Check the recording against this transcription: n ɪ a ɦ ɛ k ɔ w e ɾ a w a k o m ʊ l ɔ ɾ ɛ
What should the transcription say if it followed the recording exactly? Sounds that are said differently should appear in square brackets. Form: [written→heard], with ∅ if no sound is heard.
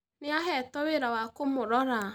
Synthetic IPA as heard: n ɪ a ɦ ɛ [k→t] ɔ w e ɾ a w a k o m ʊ [l→ɾ] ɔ ɾ [ɛ→a]